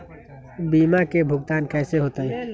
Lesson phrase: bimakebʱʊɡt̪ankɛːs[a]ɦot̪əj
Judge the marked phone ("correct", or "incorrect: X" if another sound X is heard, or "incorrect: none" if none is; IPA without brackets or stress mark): incorrect: e